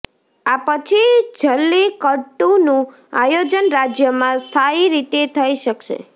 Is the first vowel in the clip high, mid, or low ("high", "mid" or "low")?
low